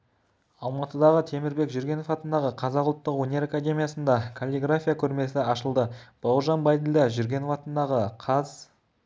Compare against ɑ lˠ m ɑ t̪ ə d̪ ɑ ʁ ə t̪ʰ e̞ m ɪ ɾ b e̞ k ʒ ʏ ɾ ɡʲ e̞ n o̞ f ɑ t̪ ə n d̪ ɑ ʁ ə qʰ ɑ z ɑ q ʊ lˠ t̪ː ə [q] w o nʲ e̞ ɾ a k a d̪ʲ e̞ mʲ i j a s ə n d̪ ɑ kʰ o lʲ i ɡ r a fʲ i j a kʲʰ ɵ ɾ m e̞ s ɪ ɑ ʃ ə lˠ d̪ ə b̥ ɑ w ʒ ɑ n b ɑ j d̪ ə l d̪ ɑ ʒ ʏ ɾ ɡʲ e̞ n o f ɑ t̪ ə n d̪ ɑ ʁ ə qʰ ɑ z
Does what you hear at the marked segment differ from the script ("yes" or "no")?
no